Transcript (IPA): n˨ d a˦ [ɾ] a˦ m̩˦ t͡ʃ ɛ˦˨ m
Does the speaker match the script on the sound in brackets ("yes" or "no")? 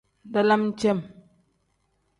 no